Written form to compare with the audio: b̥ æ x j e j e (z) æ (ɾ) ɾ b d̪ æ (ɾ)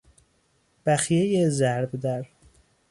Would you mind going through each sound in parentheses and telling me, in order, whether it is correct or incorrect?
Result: correct, correct, correct

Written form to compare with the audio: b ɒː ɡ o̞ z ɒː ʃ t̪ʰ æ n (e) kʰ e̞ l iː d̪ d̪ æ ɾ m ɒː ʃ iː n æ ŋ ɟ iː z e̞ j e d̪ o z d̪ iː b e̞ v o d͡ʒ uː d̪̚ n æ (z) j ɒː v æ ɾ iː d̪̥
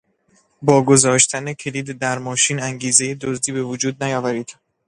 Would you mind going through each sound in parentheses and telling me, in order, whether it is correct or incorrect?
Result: correct, incorrect: none

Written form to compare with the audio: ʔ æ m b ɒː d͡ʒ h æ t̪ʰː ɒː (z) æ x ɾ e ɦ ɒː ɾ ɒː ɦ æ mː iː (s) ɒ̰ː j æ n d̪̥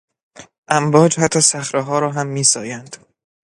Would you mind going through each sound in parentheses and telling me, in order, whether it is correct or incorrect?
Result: incorrect: s, correct

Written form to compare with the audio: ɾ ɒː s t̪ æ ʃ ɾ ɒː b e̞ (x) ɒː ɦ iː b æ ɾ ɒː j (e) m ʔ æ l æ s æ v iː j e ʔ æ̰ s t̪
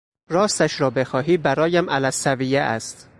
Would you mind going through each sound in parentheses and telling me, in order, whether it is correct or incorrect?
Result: correct, incorrect: æ

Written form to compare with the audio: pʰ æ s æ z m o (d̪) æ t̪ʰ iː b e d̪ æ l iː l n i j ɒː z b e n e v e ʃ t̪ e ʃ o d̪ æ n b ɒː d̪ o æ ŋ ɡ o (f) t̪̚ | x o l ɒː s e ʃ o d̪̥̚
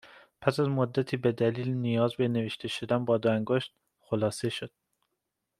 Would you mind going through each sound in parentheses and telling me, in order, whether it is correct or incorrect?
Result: incorrect: d̪ː, incorrect: ʃ

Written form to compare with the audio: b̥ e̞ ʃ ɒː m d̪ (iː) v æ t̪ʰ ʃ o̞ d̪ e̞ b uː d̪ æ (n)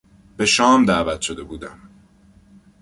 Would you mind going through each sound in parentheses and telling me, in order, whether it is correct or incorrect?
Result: incorrect: æː, incorrect: m

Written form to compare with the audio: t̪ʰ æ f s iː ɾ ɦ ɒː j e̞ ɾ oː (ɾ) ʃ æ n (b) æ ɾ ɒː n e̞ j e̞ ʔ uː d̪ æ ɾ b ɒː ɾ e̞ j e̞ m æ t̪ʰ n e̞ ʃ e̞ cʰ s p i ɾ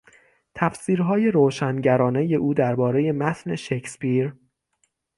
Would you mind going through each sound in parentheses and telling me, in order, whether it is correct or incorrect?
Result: incorrect: none, incorrect: ɟ

